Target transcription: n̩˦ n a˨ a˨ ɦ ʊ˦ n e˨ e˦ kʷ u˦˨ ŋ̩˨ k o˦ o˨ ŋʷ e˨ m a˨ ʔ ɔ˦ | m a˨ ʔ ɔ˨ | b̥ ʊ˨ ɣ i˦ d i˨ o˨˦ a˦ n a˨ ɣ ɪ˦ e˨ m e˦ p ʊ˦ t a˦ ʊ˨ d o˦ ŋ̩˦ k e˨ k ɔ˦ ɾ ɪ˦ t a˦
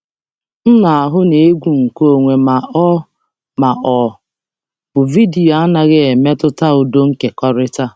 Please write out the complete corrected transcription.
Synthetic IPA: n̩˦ n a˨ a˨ ɦ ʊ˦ n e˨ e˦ ɡʷ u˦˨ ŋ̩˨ k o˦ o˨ ŋʷ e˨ m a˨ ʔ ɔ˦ | m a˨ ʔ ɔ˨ | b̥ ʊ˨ v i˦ d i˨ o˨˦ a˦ n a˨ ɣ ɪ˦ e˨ m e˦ t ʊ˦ t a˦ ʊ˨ d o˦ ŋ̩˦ k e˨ k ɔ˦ ɾ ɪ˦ t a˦

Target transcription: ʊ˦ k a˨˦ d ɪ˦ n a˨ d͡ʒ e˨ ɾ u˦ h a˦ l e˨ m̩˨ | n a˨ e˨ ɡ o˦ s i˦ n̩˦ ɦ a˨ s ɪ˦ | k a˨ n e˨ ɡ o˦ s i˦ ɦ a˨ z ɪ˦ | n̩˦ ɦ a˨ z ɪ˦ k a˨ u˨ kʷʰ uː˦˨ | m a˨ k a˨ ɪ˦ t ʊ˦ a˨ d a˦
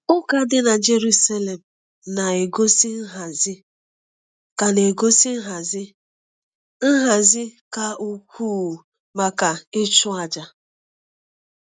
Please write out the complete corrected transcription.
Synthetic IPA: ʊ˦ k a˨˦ d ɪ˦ n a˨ d͡ʒ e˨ ɾ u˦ s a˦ l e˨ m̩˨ | n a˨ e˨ ɡ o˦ s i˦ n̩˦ ɦ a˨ z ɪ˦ | k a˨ n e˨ ɡ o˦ s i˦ ɦ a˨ z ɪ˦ | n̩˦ ɦ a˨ z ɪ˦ k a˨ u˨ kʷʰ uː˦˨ | m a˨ k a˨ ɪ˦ t͡ʃ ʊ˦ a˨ d͡ʒ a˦

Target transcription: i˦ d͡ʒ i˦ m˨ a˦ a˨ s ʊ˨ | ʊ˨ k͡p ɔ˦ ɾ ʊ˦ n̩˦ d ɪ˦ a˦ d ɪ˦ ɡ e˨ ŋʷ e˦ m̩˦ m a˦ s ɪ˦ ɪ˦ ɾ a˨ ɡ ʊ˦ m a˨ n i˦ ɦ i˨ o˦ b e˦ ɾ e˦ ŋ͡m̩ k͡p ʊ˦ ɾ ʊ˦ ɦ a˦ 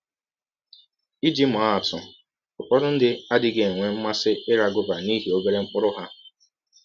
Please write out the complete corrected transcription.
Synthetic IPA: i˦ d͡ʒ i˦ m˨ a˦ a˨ t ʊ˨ | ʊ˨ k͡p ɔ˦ ɾ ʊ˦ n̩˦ d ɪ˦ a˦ d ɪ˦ ɡ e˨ ŋʷ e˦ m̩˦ m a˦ s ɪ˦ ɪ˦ ɾ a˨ ɡ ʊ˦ b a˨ n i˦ ɦ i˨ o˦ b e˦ ɾ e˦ ŋ͡m̩ k͡p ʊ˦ ɾ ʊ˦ ɦ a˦

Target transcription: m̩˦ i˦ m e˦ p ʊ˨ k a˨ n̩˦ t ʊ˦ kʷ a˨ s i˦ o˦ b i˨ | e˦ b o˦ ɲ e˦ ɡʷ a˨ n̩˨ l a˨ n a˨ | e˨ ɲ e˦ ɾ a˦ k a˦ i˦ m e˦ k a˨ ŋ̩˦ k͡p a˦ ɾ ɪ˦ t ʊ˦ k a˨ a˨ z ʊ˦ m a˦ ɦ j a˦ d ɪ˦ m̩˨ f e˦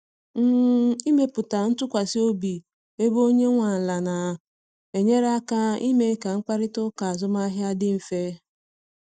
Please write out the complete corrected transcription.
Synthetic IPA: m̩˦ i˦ m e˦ p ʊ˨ t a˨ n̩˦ t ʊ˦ kʷ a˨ s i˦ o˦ b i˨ | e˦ b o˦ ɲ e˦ ŋʷ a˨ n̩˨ l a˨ n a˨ | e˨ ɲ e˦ ɾ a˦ k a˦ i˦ m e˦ k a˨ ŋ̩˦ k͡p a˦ ɾ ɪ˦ t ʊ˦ k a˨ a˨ z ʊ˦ m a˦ ɦ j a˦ d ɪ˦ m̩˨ f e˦

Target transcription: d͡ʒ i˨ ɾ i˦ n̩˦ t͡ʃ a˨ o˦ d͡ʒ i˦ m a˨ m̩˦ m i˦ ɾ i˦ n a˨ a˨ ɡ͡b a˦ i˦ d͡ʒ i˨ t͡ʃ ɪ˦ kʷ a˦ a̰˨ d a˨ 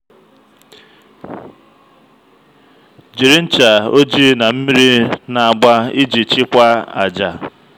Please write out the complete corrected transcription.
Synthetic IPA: d͡ʒ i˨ ɾ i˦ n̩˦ t͡ʃ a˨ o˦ d͡ʒ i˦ n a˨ m̩˦ m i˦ ɾ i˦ n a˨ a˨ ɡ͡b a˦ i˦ d͡ʒ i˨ t͡ʃ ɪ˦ kʷ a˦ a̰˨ d͡ʒ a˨

